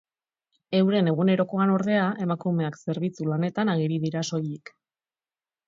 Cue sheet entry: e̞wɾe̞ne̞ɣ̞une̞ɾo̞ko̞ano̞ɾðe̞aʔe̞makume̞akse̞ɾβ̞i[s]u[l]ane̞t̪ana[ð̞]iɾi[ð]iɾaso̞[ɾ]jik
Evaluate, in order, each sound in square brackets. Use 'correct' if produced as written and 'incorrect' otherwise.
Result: incorrect, correct, incorrect, correct, incorrect

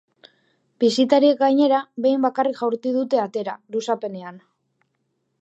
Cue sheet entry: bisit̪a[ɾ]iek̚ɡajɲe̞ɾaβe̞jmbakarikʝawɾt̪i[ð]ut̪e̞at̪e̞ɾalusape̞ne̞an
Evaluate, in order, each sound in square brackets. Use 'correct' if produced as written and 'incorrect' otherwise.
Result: correct, correct

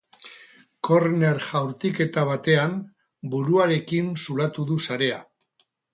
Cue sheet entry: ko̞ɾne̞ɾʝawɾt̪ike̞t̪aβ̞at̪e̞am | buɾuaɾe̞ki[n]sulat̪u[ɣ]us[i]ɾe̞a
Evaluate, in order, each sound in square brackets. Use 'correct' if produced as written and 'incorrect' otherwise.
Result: correct, incorrect, incorrect

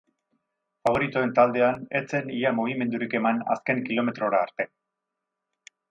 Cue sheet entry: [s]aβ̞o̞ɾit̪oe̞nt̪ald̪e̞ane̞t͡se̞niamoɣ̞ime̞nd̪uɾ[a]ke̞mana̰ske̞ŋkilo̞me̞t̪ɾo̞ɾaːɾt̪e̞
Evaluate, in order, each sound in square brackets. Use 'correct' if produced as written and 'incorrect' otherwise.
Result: incorrect, incorrect

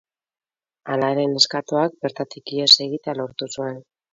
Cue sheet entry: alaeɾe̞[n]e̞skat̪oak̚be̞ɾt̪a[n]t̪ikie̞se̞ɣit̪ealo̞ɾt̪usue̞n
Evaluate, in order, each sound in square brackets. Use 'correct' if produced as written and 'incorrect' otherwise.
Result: correct, incorrect

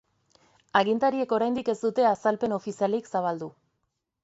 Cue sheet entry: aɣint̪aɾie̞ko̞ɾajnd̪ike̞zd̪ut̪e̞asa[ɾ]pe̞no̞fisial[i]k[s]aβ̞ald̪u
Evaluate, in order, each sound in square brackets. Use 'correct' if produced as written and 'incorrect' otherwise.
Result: incorrect, correct, correct

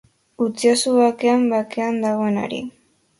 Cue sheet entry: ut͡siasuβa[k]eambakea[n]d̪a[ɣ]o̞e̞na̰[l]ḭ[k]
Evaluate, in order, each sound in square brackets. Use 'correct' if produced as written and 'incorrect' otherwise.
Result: correct, correct, correct, incorrect, incorrect

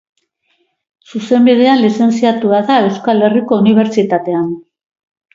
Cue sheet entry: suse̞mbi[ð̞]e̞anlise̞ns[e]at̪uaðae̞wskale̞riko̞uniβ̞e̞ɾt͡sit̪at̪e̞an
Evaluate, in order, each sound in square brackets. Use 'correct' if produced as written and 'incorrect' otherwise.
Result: correct, incorrect

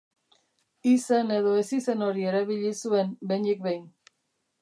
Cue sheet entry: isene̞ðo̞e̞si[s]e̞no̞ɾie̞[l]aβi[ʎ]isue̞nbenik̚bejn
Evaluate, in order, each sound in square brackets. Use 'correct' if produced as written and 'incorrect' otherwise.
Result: correct, incorrect, correct

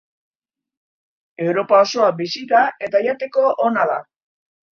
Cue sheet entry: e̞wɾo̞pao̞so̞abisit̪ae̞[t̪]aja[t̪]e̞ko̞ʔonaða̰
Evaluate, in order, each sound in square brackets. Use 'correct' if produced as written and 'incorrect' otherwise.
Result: correct, correct

